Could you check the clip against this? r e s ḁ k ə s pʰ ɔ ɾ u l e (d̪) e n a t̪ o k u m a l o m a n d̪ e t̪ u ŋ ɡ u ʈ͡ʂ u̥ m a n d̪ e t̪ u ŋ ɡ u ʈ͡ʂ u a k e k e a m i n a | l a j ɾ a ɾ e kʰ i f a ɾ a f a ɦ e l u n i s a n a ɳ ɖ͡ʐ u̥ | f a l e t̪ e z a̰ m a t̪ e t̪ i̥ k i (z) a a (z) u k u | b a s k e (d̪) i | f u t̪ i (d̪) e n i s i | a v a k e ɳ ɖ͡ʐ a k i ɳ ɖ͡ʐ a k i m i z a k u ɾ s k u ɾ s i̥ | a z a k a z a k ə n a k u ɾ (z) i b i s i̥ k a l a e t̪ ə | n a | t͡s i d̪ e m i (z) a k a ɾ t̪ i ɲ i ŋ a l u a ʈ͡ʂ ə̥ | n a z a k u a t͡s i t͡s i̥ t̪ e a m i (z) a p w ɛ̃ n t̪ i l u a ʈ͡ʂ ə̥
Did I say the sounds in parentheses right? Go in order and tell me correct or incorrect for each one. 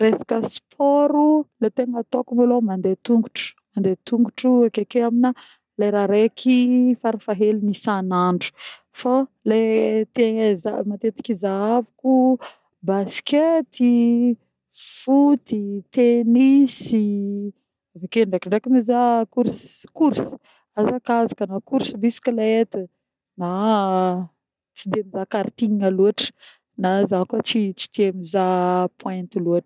incorrect: t̪, correct, incorrect: v, incorrect: t̪, incorrect: t̪, incorrect: s, correct, correct

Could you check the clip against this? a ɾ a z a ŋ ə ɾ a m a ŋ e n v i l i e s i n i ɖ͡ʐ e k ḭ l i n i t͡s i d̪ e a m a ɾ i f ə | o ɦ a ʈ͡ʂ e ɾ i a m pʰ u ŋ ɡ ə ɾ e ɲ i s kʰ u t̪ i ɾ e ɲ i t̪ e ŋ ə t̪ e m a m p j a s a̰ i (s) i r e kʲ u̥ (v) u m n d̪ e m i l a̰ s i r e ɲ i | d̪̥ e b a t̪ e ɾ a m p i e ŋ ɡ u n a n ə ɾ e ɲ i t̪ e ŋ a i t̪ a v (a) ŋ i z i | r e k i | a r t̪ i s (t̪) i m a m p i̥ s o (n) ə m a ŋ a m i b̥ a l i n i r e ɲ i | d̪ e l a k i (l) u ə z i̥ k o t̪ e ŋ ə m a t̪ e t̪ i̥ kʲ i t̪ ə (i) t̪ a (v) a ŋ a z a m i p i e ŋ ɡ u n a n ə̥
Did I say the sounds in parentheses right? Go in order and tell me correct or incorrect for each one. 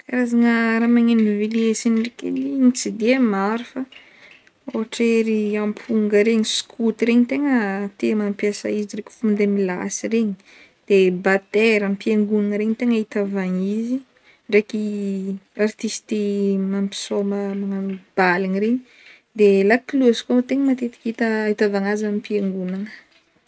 incorrect: z, incorrect: f, correct, correct, incorrect: m, correct, correct, correct

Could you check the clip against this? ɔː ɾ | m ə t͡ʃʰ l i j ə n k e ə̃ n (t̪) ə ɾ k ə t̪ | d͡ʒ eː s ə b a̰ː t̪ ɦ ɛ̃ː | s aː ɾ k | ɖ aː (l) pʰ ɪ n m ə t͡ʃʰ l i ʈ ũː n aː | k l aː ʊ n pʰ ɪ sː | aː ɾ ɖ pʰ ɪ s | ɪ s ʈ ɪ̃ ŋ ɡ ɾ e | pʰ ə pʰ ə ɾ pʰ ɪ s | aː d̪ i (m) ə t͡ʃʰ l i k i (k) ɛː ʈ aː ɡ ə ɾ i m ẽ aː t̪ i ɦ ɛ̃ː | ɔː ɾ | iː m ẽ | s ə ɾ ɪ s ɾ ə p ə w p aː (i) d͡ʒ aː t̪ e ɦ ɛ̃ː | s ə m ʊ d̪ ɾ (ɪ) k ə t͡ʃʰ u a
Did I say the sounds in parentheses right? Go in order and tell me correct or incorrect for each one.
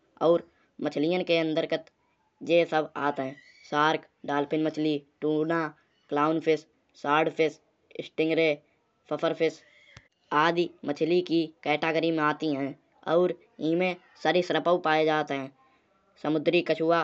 incorrect: d̪, correct, correct, correct, incorrect: e, incorrect: i

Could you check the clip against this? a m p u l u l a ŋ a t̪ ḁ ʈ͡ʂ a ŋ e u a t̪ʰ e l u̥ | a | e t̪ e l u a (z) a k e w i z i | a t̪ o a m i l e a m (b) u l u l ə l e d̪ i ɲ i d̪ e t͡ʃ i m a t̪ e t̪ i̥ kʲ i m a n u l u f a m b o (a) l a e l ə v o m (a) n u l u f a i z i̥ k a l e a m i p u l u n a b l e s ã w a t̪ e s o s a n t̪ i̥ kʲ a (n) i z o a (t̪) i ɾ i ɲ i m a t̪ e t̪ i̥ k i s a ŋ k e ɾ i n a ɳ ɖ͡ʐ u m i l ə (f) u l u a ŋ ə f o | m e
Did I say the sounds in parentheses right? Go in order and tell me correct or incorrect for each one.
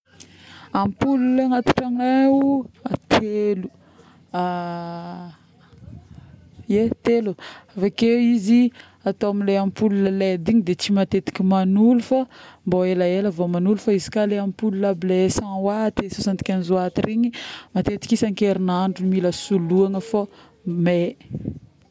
incorrect: v, incorrect: p, incorrect: e, correct, correct, correct, incorrect: s

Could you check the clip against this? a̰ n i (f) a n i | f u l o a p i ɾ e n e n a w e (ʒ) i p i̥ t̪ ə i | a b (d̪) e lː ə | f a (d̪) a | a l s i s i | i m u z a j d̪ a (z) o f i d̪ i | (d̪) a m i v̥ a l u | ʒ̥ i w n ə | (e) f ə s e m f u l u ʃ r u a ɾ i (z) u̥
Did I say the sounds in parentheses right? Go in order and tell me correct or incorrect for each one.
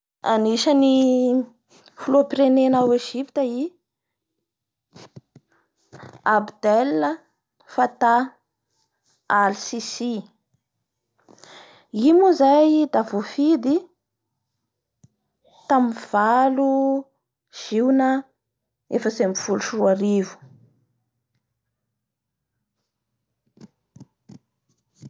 incorrect: ʃ, correct, correct, incorrect: t̪, incorrect: v, incorrect: t̪, correct, incorrect: v

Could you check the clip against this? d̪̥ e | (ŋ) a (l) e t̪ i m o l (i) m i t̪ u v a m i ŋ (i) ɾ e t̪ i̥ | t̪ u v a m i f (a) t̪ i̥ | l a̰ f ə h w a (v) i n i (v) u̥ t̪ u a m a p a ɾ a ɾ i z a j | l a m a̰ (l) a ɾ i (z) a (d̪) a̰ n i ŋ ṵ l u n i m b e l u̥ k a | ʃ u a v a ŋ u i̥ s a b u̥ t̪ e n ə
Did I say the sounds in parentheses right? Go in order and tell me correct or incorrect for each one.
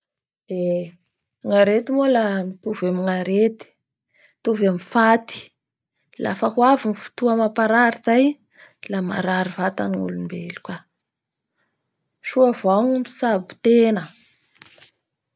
correct, incorrect: ɾ, incorrect: a, incorrect: a, correct, correct, incorrect: f, incorrect: ɾ, incorrect: v, incorrect: t̪

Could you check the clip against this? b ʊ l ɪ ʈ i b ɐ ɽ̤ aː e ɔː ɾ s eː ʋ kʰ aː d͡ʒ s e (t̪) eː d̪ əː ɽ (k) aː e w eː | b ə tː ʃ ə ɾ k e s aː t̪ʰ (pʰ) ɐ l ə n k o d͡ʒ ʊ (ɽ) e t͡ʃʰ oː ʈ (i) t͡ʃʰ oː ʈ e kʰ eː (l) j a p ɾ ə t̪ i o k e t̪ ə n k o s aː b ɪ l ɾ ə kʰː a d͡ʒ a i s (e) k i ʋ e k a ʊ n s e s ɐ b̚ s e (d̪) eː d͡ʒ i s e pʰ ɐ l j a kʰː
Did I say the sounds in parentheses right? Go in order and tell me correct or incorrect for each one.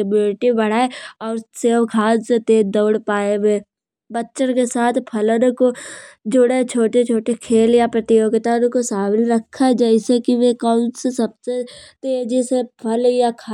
correct, incorrect: p, correct, correct, incorrect: e, correct, correct, incorrect: t̪

